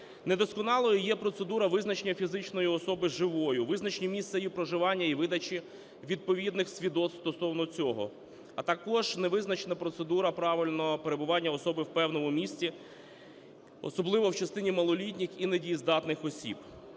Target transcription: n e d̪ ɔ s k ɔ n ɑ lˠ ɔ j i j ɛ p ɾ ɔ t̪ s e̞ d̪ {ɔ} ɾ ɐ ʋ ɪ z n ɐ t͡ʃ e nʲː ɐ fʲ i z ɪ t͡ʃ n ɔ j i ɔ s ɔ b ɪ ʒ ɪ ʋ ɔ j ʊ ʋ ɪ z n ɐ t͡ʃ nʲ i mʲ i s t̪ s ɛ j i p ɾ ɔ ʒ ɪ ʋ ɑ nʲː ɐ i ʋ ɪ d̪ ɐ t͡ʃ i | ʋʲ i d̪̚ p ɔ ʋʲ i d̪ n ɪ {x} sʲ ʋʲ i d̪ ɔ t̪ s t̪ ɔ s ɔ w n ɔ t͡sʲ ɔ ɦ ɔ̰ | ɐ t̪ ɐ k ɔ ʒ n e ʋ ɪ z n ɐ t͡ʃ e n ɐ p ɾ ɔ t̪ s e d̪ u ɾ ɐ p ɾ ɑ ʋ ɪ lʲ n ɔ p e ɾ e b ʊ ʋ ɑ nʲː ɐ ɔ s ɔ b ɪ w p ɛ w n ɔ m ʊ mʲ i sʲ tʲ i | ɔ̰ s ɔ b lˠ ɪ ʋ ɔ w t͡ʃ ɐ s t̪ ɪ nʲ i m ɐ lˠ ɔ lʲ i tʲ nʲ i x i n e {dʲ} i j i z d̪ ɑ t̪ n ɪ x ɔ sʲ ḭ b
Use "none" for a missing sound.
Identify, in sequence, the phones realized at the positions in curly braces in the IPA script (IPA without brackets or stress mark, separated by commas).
u, x, dʲ